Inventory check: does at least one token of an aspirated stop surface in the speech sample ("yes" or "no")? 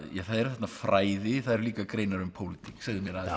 yes